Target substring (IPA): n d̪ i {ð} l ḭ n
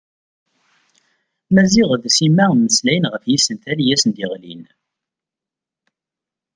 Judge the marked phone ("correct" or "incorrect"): incorrect